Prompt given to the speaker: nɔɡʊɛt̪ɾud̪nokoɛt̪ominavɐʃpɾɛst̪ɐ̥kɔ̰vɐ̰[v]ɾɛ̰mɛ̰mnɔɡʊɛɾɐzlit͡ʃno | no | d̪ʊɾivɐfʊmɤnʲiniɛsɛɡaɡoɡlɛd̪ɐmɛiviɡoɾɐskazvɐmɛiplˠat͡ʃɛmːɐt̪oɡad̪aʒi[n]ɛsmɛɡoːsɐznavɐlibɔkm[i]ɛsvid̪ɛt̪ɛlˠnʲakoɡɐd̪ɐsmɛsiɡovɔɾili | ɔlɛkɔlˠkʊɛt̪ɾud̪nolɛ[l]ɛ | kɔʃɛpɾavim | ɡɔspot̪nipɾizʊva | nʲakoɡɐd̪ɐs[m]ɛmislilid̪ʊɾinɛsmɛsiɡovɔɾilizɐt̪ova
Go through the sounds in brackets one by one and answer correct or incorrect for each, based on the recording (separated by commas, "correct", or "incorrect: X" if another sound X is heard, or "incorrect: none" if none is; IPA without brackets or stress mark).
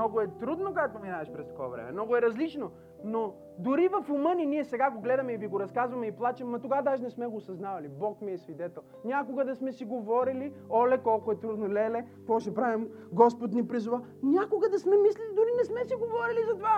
correct, correct, correct, correct, correct